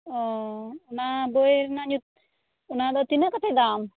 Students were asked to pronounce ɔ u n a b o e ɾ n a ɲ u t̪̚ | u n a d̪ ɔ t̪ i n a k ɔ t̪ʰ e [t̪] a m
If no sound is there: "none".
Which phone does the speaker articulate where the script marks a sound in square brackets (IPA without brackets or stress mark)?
d̪